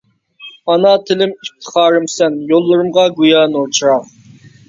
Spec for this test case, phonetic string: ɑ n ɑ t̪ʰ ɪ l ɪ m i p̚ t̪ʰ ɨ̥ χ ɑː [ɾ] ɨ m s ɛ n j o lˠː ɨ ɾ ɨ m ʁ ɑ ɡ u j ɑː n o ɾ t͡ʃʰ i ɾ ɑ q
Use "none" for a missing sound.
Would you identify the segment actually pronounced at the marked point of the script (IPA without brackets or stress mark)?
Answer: ɾ